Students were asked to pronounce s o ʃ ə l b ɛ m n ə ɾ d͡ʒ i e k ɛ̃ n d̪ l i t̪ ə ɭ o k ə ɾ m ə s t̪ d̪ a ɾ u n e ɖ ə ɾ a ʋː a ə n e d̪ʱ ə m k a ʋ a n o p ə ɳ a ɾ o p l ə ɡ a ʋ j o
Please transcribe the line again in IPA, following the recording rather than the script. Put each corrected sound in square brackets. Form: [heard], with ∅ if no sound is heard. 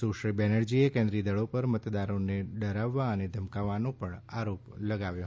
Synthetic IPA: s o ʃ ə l b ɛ [∅] n ə ɾ d͡ʒ i e k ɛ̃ n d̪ [ɾ] i [d̪] ə ɭ o [p] ə ɾ m ə [∅] t̪ d̪ a ɾ [o] n e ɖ ə ɾ a ʋː a ə n e d̪ʱ ə m k a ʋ a n o p ə ɳ a ɾ o p l ə ɡ a ʋ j o